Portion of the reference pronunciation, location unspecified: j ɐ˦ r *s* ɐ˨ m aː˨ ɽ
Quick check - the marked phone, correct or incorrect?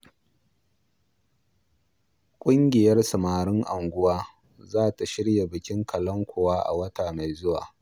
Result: correct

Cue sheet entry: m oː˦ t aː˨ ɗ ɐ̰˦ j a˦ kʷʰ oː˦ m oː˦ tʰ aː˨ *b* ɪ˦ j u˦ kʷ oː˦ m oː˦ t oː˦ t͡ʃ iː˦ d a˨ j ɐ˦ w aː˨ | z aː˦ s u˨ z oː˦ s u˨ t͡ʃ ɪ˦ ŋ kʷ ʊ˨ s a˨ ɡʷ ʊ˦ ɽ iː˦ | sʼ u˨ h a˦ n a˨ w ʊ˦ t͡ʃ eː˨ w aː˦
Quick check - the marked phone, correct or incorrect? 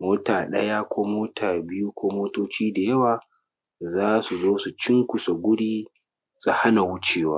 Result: correct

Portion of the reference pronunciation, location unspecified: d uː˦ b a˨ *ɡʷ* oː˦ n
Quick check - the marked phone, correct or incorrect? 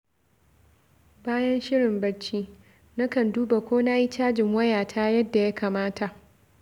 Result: incorrect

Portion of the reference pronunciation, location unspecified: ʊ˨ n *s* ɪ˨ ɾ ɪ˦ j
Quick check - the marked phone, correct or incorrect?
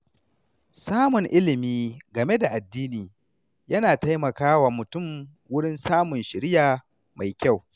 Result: incorrect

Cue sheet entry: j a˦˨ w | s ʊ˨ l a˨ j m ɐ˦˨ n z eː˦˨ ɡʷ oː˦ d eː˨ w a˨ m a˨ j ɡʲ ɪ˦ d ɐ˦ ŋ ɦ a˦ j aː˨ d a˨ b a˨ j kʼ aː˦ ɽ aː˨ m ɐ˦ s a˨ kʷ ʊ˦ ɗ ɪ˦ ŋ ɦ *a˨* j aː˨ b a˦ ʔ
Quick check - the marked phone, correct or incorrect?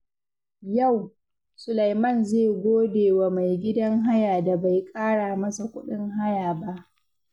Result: incorrect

